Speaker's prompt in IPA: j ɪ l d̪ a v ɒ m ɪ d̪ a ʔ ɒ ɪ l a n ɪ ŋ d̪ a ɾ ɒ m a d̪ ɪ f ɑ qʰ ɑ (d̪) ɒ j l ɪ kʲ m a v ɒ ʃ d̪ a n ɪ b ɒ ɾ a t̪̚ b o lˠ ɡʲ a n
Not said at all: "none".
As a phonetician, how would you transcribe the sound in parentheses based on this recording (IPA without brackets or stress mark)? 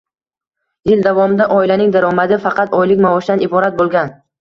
t̪